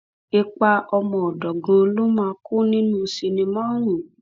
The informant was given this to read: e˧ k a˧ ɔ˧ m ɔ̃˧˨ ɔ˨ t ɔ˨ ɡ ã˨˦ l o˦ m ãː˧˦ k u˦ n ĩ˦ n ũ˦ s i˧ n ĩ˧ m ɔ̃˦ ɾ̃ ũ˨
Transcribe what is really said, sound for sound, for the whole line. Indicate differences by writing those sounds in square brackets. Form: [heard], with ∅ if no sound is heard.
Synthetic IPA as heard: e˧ [k͡p] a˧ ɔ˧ m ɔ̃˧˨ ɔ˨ [d] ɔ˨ ɡ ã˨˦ l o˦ m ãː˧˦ k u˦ n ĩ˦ n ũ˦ s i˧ n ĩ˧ m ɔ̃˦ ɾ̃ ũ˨